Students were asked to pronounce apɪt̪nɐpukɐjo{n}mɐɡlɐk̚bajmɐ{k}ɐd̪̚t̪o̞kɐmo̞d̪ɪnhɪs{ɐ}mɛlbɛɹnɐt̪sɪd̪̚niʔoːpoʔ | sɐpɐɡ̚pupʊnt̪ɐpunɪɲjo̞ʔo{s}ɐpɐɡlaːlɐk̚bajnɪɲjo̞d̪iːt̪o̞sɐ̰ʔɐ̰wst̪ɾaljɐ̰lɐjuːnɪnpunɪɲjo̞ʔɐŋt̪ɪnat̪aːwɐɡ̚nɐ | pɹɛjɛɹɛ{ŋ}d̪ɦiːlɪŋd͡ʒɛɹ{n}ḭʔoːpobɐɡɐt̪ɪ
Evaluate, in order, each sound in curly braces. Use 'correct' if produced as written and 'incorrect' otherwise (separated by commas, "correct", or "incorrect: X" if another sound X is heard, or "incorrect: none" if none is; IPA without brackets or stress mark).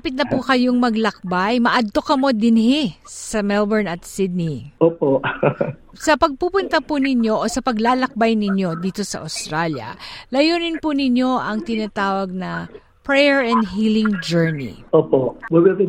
incorrect: ŋ, incorrect: ʔ, correct, correct, incorrect: n, correct